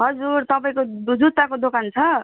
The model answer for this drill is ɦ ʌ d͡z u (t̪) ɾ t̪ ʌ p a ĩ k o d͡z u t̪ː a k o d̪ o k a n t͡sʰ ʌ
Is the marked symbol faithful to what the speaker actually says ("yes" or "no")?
no